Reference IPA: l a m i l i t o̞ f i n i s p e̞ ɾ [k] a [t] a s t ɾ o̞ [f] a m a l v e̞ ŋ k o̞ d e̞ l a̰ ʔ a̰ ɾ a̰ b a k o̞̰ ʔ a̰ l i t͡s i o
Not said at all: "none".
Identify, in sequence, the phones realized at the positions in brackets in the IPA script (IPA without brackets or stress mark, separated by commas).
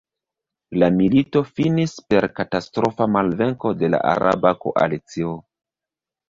k, t, f